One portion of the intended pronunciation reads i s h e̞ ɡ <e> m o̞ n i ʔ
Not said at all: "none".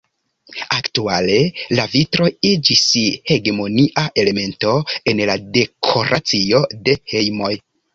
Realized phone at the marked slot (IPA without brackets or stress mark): e